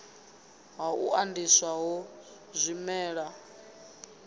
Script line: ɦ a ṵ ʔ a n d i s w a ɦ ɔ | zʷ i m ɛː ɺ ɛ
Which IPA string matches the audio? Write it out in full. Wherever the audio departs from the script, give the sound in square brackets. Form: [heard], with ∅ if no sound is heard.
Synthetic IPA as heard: ɦ a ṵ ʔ a n d i s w a ɦ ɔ | zʷ i m ɛː ɺ [a]